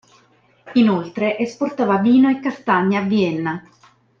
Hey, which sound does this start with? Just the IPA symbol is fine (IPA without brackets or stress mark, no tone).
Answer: i